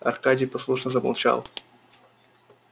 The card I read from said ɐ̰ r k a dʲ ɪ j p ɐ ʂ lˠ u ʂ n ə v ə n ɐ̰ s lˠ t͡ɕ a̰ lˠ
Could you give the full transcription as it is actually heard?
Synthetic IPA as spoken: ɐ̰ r k a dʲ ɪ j p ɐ s lˠ u ʂ n ə z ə m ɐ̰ lˠ t͡ɕ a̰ lˠ